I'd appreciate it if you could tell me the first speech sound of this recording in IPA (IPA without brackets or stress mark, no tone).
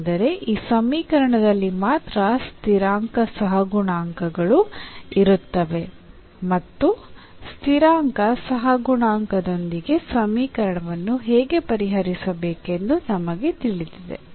d̪